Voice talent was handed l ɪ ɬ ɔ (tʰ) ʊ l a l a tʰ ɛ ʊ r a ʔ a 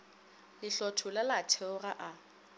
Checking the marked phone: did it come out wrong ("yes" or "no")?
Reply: no